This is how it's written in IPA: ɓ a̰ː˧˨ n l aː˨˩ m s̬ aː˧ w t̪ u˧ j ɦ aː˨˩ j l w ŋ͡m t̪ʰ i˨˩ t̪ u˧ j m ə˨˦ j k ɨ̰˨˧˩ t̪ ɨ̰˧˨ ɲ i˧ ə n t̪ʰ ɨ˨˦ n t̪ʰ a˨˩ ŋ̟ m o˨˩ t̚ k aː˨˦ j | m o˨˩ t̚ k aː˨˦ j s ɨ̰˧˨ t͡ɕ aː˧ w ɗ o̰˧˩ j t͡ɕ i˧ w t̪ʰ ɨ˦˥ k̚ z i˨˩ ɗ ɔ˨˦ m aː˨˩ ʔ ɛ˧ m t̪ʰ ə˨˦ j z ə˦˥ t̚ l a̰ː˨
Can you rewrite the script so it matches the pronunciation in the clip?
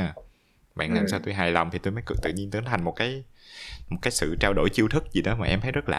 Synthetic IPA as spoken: ɓ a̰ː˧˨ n l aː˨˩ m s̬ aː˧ w t̪ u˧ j ɦ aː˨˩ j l w ŋ͡m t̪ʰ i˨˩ t̪ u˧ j m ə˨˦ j k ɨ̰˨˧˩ t̪ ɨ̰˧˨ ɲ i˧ ə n t̪ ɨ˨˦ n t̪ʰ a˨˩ ŋ̟ m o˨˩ t̚ k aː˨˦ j | m o˨˩ t̚ k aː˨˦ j s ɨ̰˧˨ t͡ɕ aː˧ w ɗ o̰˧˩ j t͡ɕ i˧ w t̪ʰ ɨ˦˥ k̚ z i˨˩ ɗ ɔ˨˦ m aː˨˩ ʔ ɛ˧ m t̪ʰ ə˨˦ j z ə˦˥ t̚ l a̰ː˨